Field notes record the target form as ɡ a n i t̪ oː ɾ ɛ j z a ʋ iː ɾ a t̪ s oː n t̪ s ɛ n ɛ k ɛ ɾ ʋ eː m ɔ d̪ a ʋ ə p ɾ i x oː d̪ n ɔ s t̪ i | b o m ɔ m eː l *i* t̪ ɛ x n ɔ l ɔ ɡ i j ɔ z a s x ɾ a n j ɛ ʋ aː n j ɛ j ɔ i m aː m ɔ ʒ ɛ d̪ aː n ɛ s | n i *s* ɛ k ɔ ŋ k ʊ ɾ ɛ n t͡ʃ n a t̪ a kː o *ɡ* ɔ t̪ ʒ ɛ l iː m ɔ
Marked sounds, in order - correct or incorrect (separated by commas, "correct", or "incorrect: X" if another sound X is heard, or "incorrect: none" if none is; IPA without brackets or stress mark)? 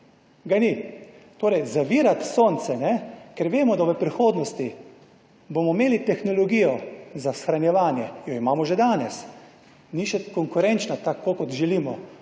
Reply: correct, incorrect: ʃ, incorrect: k